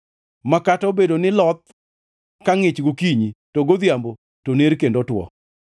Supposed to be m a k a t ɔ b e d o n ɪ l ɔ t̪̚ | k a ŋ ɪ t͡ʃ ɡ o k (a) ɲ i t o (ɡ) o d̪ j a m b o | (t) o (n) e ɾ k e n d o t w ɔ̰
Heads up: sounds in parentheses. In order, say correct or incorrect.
incorrect: i, correct, correct, correct

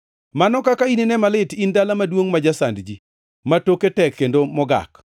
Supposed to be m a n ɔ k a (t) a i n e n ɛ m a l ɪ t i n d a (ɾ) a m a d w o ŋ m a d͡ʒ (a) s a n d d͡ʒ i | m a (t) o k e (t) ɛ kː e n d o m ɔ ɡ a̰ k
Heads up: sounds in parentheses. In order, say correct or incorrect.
incorrect: k, incorrect: l, correct, correct, correct

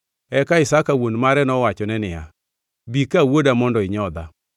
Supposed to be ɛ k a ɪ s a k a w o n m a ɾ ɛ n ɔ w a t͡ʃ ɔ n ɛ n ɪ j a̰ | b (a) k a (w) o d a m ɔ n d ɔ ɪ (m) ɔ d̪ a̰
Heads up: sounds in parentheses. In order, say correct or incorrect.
incorrect: i, correct, incorrect: ɲ

